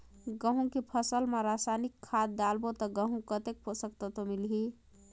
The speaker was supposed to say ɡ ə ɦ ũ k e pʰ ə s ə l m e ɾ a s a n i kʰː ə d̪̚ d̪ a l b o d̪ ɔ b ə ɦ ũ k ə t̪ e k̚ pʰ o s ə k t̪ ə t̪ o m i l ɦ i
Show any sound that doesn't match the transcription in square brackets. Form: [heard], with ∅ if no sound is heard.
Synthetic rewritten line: ɡ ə ɦ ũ k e pʰ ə s ə l m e ɾ a s a n i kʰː [a] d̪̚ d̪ a l b o [t̪] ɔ [ɡ] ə ɦ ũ k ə t̪ e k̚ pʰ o s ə k t̪ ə t̪ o m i l ɦ i

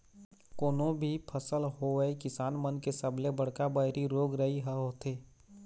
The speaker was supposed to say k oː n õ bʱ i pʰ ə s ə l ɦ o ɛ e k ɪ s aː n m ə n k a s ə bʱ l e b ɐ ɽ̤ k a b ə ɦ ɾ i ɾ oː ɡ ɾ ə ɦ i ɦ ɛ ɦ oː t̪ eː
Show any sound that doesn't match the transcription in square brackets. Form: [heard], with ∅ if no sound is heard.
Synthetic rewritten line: k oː n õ bʱ i pʰ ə s ə l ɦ o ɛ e k ɪ s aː n m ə n k [e] s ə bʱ l e b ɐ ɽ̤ k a b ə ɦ ɾ i ɾ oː ɡ ɾ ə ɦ i ɦ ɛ ɦ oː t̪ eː

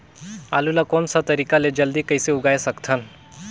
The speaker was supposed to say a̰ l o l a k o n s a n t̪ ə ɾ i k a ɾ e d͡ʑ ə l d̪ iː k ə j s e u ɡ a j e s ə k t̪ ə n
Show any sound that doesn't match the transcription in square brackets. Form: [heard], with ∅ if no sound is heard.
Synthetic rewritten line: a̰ l [u] l a k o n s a [∅] t̪ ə ɾ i k a [l] e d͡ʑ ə l d̪ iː k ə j s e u ɡ a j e s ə k [t̪ʰ] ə n

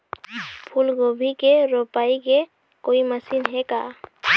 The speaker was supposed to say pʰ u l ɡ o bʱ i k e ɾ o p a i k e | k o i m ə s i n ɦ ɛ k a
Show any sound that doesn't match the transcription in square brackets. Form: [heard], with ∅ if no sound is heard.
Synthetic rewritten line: pʰ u l ɡ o bʱ i k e ɾ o p a i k e | k o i m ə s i n ɦ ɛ k a

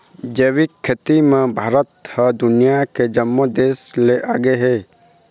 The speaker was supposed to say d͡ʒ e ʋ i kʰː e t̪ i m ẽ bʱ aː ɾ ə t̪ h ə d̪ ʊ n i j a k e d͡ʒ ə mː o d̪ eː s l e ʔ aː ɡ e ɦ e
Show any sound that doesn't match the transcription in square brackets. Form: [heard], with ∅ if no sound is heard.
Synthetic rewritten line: d͡ʒ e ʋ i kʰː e t̪ i m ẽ bʱ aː ɾ ə t̪ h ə d̪ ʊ n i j a k e d͡ʒ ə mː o d̪ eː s l e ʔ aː ɡ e ɦ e

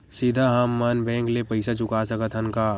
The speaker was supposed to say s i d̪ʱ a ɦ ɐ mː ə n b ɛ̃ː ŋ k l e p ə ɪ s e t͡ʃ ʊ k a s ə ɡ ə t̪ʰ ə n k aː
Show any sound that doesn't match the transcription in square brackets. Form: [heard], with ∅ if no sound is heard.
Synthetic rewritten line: s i d̪ʱ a ɦ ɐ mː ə n b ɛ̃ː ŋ k l e p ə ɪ s [a] t͡ʃ ʊ k a s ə [k] ə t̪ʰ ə n k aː

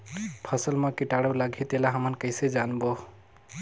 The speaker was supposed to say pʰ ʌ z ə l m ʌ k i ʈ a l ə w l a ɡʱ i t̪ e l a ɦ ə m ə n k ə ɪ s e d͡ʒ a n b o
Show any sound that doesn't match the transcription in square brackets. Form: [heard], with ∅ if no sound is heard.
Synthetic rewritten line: pʰ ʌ [s] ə l m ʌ k i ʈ a [ɽ] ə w l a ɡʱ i t̪ e l a ɦ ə m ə n k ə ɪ s e d͡ʒ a n b o

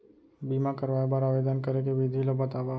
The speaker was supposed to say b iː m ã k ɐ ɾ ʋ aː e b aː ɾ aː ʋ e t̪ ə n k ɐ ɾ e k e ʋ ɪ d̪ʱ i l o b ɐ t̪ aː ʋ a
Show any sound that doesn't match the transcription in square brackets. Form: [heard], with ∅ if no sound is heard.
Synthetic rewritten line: b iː m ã k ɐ ɾ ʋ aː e b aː ɾ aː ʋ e [d̪] ə n k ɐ ɾ e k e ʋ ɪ d̪ʱ i l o b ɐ t̪ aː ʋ a

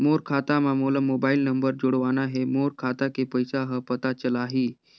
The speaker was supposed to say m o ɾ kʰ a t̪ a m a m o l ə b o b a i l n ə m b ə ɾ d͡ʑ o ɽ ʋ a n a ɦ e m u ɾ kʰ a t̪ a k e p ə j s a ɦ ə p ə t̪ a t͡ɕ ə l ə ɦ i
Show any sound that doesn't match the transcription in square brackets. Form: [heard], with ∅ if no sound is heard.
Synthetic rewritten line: m o ɾ kʰ a t̪ a m a m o l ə [m] o b a i l n ə m b ə ɾ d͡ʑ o ɽ ʋ a n a ɦ e m [o] ɾ kʰ a t̪ a k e p ə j s a ɦ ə p ə t̪ a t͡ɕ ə l [a] ɦ i

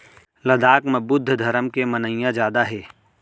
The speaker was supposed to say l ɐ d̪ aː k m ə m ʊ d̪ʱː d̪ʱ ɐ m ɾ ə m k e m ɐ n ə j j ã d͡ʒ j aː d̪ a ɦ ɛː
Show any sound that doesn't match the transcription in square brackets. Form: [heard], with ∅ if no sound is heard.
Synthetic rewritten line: l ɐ d̪ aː k m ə [b] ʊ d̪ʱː d̪ʱ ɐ [∅] ɾ ə m k e m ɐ n ə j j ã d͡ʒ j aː d̪ a ɦ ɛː

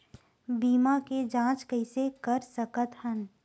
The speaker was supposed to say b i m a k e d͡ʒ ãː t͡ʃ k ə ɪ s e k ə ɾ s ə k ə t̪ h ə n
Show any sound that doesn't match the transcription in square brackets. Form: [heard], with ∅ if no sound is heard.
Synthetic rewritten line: b [iː] m a k e d͡ʒ ãː t͡ʃ k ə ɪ s e k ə ɾ s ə k ə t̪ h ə n

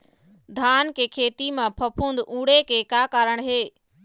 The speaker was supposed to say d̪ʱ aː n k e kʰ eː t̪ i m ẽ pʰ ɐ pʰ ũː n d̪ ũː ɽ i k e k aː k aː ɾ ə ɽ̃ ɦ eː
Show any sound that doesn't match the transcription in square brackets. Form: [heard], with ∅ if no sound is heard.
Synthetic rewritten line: d̪ʱ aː n k e kʰ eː t̪ i m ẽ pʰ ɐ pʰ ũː n d̪ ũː ɽ [e] k e k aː k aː ɾ ə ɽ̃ ɦ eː

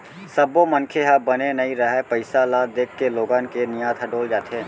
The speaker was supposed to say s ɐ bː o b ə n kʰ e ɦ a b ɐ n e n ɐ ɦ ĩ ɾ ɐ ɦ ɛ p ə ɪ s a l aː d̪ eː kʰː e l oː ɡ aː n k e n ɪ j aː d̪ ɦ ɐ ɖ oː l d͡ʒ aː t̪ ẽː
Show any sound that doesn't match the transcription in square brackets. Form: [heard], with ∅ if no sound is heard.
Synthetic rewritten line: s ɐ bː o [m] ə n kʰ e ɦ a b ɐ n e n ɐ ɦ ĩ ɾ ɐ ɦ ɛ p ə ɪ s a l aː d̪ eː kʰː e l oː ɡ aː n k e n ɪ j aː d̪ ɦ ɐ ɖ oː l d͡ʒ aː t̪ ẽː

